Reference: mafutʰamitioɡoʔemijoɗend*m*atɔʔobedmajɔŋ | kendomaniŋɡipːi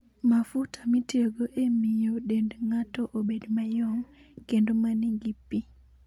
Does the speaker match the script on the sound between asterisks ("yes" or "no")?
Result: no